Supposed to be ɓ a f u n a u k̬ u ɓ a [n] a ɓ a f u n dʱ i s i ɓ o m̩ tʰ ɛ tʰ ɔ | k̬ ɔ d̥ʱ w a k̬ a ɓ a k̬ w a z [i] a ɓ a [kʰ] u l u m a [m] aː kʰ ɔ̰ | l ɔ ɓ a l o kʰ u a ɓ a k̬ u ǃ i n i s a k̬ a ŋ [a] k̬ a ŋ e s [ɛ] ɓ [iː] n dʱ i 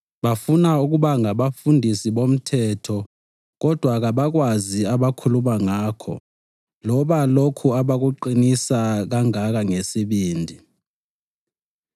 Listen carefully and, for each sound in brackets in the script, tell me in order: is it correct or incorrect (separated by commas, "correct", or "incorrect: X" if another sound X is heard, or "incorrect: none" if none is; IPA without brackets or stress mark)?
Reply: incorrect: ŋ, correct, correct, incorrect: ŋ, correct, incorrect: i, correct